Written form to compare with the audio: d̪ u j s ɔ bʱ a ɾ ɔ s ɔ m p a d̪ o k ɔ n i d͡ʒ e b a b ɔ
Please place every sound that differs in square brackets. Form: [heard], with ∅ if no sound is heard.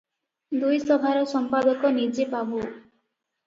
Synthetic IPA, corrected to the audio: d̪ u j s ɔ bʱ a ɾ ɔ s ɔ m p a d̪ [ɔ] k ɔ n i d͡ʒ e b a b [u]